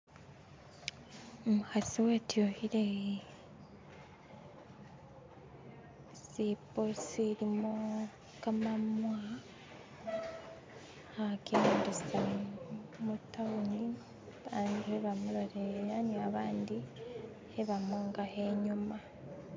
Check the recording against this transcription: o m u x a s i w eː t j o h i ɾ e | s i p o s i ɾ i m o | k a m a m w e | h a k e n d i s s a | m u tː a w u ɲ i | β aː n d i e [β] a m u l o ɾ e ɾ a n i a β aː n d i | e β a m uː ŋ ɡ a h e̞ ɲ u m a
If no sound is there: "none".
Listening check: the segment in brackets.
β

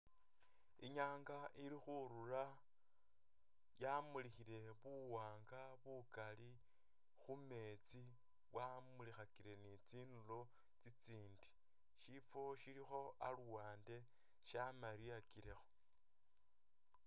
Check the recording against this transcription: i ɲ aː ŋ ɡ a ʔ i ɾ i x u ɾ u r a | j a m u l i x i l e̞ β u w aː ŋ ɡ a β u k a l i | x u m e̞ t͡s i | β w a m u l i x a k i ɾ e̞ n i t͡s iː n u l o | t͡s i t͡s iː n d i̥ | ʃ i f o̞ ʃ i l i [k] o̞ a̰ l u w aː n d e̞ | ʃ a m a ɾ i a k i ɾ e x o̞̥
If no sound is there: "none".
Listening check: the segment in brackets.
x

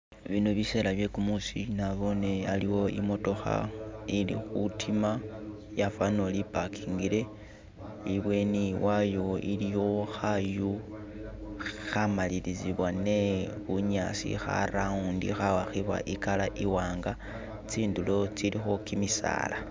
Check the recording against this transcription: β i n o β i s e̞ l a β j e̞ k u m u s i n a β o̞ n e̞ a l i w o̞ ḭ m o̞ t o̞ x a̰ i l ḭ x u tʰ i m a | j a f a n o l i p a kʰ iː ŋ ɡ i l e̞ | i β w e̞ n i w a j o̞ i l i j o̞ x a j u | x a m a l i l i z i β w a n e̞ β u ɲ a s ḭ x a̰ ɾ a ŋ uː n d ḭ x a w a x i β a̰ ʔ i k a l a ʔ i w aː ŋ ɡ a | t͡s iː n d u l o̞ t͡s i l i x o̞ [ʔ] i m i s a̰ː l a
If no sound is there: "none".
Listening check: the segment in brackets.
k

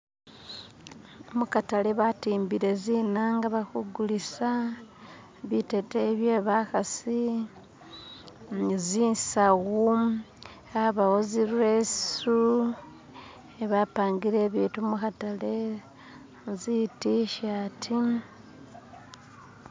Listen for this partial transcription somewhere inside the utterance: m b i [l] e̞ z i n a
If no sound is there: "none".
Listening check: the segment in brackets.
ɾ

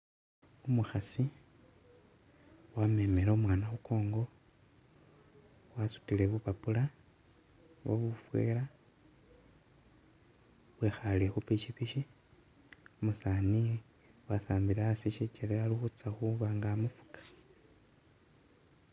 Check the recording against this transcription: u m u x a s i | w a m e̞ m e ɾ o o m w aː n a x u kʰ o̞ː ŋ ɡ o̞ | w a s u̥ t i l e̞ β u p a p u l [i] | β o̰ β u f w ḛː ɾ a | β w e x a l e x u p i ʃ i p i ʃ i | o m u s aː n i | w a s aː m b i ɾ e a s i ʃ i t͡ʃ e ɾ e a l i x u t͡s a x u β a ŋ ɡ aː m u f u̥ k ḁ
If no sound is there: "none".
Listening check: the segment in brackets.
a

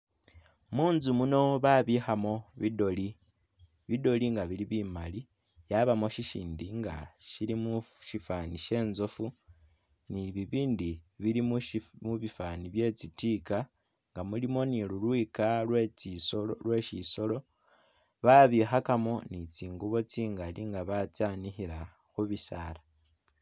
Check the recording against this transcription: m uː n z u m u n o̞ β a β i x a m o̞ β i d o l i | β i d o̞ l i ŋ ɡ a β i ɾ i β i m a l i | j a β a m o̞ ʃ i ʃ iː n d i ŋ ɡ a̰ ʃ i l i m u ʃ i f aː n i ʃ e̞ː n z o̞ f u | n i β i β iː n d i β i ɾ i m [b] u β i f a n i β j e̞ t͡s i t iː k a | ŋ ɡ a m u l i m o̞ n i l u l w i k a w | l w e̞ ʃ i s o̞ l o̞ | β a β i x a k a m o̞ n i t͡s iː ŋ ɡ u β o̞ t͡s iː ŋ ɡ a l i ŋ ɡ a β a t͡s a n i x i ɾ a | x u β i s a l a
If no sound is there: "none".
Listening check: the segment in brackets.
m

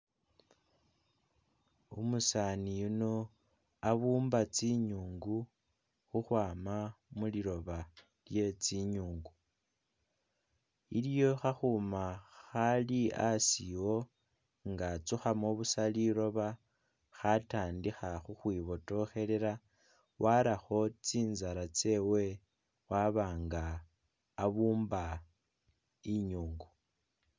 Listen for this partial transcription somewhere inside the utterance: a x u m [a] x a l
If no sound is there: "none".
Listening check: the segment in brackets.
a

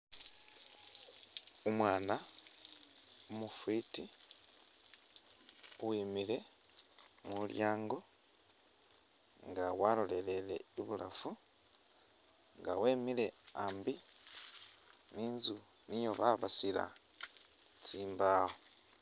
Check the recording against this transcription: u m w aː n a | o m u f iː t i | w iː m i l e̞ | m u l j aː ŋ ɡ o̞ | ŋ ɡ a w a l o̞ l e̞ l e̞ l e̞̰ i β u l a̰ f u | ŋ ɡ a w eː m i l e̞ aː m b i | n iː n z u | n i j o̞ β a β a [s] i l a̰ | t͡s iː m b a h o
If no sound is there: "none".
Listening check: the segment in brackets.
s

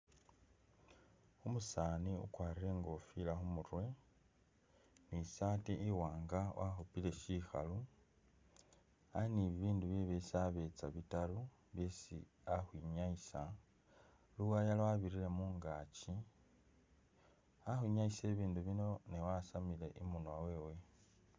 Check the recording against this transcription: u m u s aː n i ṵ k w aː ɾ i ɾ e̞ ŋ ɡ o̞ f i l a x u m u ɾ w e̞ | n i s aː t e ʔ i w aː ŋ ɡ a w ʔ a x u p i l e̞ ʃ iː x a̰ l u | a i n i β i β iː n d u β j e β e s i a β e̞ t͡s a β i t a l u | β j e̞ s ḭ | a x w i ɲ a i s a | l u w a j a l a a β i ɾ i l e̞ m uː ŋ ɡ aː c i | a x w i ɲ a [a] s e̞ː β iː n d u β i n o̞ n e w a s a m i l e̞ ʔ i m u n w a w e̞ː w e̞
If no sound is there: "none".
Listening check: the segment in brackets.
i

